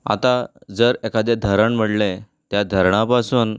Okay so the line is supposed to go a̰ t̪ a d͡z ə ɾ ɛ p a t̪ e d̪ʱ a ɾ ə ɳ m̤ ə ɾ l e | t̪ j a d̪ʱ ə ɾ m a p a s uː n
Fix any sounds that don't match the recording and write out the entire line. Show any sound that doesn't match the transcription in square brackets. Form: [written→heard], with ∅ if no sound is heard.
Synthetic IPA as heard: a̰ t̪ a d͡z ə ɾ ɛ [p→k] a [t̪→d̪] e d̪ʱ [a→ə] ɾ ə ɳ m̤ ə [ɾ→ɽ] l e | t̪ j a d̪ʱ ə ɾ [m→ɳ] a p a s uː n